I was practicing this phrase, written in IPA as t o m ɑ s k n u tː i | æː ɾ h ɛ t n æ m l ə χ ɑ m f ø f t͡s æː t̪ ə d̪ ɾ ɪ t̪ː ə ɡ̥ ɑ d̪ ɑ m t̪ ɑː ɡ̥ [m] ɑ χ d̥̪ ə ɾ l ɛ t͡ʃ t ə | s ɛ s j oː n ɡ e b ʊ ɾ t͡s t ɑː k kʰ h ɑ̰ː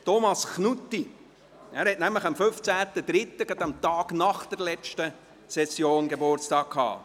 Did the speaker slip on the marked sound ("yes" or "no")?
yes